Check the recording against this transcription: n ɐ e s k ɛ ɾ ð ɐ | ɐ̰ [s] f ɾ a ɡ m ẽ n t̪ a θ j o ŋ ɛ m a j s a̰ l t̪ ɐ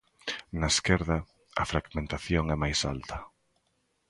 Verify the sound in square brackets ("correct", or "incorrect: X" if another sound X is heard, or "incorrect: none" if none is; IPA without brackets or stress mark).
incorrect: none